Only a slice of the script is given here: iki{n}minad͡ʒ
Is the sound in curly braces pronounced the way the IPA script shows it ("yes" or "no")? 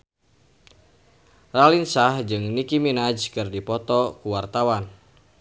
no